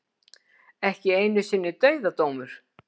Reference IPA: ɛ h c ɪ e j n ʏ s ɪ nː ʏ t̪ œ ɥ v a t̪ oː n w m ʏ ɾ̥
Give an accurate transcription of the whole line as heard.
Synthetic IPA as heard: ɛ h c ɪ e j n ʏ s ɪ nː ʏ t̪ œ ɥ ð a t̪ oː w m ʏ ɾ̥